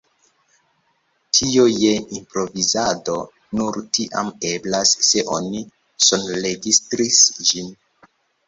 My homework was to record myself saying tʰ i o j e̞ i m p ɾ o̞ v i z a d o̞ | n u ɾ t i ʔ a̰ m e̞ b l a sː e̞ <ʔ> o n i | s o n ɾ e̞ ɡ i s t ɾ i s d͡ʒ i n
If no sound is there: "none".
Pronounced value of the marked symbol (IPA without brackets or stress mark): ʔ